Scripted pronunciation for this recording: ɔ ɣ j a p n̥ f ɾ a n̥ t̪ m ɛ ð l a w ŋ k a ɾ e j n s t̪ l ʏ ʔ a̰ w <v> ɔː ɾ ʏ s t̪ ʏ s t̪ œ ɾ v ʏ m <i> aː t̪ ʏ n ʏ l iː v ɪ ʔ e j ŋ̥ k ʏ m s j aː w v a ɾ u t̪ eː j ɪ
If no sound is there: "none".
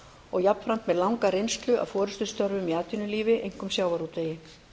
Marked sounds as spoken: f, i

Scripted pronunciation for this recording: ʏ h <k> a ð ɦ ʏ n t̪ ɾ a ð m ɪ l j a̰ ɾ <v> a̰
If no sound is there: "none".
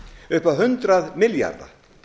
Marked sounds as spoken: p, ð

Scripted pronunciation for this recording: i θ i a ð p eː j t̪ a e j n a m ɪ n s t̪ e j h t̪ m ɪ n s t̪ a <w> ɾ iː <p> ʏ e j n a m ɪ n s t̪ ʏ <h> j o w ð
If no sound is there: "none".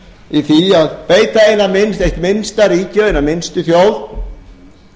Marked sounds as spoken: none, c, θ

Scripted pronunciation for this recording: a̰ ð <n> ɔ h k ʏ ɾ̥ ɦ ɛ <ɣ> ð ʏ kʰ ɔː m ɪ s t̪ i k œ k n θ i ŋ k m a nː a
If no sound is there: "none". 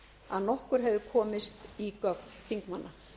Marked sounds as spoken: n, v

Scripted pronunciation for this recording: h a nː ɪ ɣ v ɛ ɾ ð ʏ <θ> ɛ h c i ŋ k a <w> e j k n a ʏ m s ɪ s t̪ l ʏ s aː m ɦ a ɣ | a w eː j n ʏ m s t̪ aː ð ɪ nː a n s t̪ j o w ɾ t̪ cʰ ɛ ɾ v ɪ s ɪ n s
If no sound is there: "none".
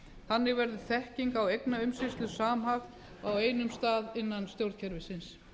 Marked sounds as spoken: θ, w

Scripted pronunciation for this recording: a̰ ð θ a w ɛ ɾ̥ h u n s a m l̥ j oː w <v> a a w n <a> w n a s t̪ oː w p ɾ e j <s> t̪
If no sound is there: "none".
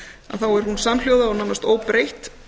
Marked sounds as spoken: ð, a, h

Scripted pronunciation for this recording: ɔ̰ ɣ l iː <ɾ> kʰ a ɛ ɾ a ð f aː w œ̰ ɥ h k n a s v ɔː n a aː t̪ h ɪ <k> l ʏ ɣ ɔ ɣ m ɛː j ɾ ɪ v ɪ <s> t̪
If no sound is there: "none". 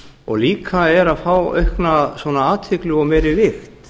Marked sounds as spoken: none, k, x

